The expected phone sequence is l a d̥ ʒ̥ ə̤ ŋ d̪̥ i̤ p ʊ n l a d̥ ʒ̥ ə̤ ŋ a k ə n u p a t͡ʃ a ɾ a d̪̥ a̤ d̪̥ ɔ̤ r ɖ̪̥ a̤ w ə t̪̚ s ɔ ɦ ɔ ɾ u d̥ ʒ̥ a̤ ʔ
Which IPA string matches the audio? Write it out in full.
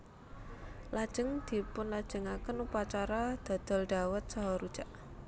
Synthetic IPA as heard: l a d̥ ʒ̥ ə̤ ŋ d̪̥ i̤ p ʊ n l a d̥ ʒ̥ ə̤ ŋ a k ə n u p a t͡ʃ a ɾ a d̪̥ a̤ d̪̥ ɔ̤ l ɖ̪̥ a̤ w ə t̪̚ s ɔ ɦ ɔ ɾ u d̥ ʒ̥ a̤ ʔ